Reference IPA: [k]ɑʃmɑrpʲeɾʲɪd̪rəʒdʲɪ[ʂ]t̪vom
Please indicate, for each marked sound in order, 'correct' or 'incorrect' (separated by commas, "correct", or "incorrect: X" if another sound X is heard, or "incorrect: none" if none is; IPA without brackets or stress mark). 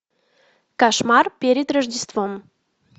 correct, incorrect: s